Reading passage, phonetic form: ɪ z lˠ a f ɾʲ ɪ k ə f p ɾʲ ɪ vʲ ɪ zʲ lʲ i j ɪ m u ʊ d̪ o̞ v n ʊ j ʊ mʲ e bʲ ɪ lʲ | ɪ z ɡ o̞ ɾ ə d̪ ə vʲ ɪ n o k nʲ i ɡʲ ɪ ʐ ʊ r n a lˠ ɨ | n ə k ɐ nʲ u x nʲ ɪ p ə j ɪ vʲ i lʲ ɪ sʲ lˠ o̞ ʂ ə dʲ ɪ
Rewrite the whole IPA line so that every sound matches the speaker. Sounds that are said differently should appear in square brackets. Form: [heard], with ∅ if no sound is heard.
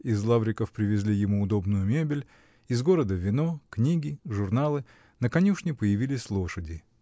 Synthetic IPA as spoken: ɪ z lˠ a [v] ɾʲ ɪ k ə f p ɾʲ ɪ vʲ ɪ zʲ lʲ i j ɪ m u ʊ d̪ o̞ [b] n ʊ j ʊ mʲ e bʲ ɪ lʲ | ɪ z ɡ o̞ ɾ ə d̪ ə vʲ ɪ n o k nʲ i ɡʲ ɪ ʐ ʊ r n a lˠ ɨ | n ə k ɐ nʲ u [ʂ] nʲ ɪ p ə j ɪ vʲ i lʲ ɪ sʲ lˠ o̞ ʂ ə dʲ ɪ